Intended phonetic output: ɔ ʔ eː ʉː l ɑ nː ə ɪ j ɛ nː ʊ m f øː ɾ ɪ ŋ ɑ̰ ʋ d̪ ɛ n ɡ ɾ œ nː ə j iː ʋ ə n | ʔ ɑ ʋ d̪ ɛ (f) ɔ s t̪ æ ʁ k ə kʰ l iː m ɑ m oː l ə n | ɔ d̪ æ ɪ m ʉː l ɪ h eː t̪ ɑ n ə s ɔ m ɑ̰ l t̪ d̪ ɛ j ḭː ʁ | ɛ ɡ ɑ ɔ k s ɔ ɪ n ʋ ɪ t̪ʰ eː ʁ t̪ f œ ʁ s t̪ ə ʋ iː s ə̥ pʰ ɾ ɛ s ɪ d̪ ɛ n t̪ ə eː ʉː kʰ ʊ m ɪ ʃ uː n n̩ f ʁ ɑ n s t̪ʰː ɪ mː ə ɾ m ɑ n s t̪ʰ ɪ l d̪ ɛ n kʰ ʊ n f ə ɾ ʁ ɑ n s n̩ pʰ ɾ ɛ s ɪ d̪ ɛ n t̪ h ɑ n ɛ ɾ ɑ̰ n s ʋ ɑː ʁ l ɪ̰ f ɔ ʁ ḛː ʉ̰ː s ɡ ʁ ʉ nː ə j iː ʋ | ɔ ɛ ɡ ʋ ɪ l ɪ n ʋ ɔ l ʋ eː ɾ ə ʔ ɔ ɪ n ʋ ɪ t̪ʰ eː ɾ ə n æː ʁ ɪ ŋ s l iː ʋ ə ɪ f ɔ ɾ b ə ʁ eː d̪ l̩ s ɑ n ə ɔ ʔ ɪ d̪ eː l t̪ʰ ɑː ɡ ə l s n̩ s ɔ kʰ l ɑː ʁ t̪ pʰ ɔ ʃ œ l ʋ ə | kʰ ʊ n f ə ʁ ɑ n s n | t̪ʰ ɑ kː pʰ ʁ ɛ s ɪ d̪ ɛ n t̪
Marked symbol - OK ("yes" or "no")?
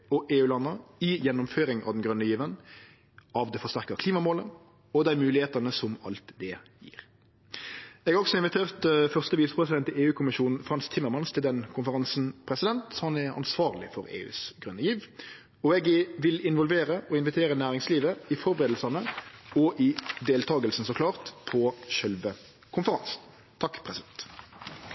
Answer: yes